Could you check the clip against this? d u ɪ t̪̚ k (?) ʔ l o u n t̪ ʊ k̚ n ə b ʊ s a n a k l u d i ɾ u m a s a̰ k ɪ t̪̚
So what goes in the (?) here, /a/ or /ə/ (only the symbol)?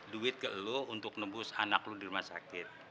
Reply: ə